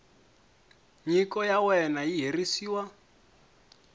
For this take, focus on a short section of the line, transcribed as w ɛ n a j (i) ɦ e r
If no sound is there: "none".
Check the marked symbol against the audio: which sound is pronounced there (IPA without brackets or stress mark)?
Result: i